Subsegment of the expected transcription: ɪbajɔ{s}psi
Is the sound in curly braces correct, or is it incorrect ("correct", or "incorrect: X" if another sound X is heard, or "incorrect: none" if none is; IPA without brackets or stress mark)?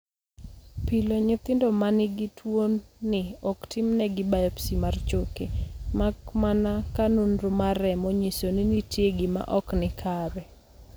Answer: incorrect: none